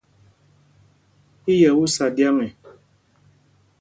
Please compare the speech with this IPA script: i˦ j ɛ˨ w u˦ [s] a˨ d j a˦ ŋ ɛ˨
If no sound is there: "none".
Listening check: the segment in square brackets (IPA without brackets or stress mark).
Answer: s